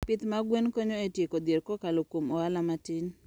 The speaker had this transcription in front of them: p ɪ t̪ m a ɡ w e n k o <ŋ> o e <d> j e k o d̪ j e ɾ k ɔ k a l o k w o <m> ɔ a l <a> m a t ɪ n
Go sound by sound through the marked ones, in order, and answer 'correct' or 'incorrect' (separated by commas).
incorrect, incorrect, correct, correct